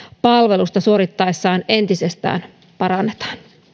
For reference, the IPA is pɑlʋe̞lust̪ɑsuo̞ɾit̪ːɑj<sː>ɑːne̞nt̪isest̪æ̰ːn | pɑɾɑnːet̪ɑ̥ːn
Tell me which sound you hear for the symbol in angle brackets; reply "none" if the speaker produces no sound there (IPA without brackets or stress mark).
sː